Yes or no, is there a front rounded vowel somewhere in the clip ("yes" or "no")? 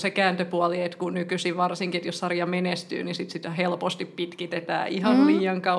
yes